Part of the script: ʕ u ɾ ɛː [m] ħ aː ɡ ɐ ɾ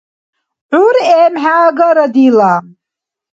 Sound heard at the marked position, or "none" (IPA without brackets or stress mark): m